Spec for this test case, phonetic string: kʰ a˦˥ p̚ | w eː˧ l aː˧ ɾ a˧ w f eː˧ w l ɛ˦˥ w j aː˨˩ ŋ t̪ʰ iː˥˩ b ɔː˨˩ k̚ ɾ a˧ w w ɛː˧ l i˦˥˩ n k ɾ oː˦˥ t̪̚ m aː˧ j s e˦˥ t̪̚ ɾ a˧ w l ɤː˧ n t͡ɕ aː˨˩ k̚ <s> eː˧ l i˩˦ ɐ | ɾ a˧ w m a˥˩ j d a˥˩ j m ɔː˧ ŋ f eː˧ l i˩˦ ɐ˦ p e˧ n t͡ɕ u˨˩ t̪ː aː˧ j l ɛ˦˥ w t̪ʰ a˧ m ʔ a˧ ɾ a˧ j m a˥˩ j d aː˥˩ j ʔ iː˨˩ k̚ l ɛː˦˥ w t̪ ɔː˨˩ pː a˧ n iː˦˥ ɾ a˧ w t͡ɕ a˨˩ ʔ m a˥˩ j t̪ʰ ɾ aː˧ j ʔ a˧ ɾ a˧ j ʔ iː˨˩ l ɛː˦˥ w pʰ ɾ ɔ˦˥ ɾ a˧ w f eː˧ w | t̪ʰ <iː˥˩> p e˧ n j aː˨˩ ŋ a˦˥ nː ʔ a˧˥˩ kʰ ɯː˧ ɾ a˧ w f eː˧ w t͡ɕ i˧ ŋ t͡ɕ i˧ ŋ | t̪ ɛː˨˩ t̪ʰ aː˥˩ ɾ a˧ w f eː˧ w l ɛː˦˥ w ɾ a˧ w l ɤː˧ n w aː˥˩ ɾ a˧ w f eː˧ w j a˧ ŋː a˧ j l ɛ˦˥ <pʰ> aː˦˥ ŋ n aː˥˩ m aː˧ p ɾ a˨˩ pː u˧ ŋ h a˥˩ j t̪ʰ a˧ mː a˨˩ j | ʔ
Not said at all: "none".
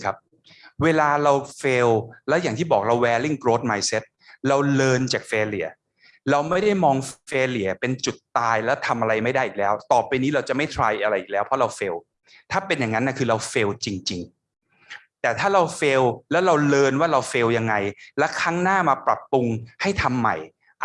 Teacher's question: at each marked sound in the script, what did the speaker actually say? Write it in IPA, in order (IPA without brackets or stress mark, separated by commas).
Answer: f, aː˥˩, kʰ